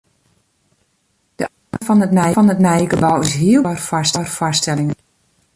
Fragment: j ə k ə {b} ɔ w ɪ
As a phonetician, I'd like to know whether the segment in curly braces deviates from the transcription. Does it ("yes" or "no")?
no